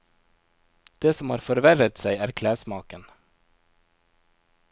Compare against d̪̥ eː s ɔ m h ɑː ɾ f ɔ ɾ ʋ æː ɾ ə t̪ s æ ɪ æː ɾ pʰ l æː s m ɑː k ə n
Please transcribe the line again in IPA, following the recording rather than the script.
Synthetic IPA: d̪̥ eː s ɔ m h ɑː ɾ f ɔ ɾ ʋ æ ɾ ə t̪ s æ ɪ æː ɾ kʰ l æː s m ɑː k ə n